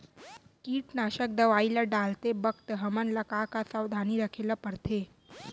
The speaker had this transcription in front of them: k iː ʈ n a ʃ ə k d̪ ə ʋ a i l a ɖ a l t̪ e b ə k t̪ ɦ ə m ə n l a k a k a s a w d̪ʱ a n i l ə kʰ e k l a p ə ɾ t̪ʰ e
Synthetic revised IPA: k iː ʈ n a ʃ ə k d̪ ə ʋ a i l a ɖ a l t̪ e b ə k t̪ ɦ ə m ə n l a k a k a s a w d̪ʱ a n i ɾ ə kʰ e l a p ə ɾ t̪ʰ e